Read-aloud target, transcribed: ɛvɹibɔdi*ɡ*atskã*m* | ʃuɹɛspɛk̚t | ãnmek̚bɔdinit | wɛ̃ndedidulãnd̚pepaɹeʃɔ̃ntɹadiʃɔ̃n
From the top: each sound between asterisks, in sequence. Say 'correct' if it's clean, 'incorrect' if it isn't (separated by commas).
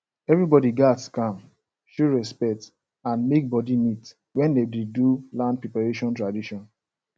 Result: correct, correct